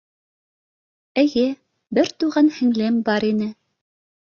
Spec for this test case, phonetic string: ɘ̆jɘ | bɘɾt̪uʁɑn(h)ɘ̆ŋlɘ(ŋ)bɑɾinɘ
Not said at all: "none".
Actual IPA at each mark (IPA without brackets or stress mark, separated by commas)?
h, m